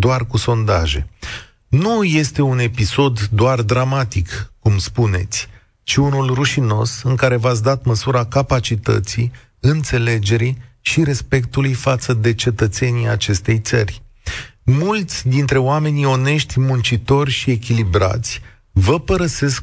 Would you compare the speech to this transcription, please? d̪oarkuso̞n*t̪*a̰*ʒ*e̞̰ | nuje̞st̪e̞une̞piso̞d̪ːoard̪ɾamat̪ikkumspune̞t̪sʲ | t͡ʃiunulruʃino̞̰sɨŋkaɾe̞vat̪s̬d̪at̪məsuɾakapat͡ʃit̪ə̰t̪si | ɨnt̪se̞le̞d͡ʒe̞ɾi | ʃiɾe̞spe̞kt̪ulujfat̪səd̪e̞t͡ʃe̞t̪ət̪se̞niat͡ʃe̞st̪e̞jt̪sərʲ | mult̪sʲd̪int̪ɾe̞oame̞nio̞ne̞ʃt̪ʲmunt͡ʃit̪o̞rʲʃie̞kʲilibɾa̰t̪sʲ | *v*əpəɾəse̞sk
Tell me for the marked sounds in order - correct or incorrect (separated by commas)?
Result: incorrect, correct, correct